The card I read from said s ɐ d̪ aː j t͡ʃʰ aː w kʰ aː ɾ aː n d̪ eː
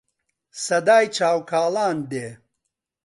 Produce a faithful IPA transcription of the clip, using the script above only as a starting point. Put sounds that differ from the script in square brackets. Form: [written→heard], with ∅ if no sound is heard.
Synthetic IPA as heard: s ɐ d̪ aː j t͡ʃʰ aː w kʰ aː [ɾ→l] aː n d̪ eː